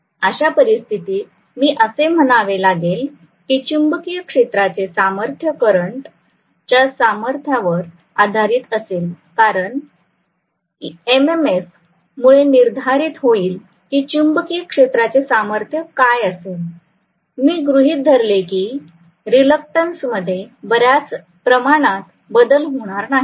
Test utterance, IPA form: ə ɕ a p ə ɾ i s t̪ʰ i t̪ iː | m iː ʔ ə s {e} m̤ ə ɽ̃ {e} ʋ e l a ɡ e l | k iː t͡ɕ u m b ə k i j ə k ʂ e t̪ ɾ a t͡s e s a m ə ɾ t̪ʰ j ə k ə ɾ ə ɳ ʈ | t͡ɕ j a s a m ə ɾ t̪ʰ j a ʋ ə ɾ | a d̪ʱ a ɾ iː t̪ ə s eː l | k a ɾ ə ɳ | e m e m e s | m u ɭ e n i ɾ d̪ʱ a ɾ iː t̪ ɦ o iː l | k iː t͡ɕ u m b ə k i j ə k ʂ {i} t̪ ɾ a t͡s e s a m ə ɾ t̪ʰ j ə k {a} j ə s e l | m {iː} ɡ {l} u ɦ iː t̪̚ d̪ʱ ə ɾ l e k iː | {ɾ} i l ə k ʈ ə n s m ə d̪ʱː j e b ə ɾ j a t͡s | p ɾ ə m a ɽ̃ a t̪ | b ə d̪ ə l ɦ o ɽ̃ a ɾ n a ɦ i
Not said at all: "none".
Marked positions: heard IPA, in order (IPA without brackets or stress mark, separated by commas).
e, a, e, a, iː, ɾ, ɾ